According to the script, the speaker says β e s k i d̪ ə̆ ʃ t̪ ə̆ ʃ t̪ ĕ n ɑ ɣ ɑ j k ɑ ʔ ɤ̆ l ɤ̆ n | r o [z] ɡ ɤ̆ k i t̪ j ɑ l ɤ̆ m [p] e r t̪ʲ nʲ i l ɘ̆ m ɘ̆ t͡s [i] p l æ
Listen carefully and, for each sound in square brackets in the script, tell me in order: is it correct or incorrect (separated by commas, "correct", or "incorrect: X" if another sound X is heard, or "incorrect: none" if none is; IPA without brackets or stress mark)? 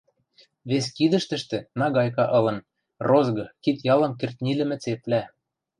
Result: correct, incorrect: k, incorrect: e